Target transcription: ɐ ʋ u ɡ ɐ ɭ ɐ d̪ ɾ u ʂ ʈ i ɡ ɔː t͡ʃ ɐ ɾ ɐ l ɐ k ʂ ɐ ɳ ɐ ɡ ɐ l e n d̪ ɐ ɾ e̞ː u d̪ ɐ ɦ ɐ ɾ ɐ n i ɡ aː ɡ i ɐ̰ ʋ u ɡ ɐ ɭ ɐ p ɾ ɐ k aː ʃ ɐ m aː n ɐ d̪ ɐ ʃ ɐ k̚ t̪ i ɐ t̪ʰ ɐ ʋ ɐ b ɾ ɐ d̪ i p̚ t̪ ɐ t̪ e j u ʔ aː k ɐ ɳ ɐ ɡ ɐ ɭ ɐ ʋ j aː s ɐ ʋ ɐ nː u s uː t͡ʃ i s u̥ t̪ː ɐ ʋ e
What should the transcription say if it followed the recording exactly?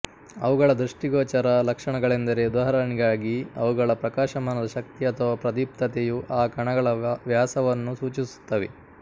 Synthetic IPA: ɐ ʋ u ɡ ɐ ɭ ɐ d̪ ɾ u ʂ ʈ i ɡ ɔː t͡ʃ ɐ ɾ ɐ l ɐ k ʂ ɐ ɳ ɐ ɡ ɐ ɭ e n d̪ ɐ ɾ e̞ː u d̪ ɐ ɦ ɐ ɾ ɐ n i ɡ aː ɡ i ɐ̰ ʋ u ɡ ɐ ɭ ɐ p ɾ ɐ k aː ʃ ɐ m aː n ɐ d̪ ɐ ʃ ɐ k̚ t̪ i ɐ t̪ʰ ɐ ʋ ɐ p ɾ ɐ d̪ i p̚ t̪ ɐ t̪ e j u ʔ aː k ɐ ɳ ɐ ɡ ɐ ɭ ɐ ʋ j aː s ɐ ʋ ɐ nː u s uː t͡ʃ i s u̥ t̪ː ɐ ʋ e